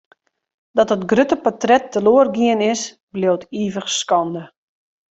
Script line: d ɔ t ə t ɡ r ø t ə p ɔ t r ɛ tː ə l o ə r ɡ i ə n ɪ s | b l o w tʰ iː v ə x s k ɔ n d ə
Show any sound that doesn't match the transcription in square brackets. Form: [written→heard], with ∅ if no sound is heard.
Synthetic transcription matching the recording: d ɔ t ə t ɡ r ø t ə p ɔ t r ɛ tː ə l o ə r ɡ i ə n ɪ s | b l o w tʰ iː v ə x s k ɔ n d ə